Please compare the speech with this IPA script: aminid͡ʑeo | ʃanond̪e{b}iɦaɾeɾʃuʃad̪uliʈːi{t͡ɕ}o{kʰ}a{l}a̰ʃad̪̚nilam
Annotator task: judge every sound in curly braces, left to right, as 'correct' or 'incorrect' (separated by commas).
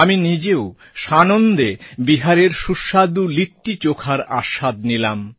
correct, correct, correct, incorrect